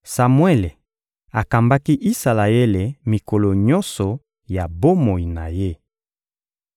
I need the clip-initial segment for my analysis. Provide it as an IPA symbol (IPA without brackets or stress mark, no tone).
s